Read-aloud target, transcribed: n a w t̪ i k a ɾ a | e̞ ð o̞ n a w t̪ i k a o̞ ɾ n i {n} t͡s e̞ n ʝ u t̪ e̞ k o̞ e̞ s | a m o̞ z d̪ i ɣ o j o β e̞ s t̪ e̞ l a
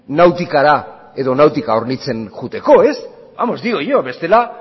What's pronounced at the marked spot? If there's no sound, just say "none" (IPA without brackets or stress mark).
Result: none